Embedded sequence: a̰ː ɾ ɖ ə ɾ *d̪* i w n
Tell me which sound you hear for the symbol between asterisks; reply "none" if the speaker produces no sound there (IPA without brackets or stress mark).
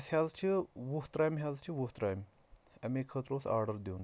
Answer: d̪